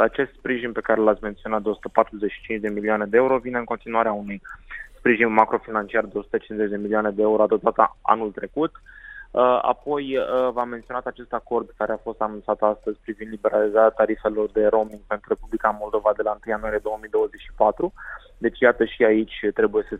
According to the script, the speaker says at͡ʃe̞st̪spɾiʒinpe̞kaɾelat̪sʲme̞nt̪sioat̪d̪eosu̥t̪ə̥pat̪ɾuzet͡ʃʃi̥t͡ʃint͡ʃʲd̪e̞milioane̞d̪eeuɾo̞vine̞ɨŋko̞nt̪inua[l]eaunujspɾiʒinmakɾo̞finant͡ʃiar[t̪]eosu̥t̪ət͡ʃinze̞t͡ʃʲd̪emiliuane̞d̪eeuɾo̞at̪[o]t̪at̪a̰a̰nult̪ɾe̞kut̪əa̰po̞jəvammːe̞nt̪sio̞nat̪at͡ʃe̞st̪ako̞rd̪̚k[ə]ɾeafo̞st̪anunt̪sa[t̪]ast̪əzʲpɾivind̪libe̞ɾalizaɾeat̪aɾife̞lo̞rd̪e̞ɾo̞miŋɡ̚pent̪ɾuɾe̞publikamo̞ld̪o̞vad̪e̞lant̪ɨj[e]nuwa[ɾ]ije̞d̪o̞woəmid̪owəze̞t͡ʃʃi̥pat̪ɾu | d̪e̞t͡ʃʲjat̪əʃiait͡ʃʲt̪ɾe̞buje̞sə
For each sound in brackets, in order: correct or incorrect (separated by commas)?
incorrect, incorrect, correct, incorrect, correct, incorrect, correct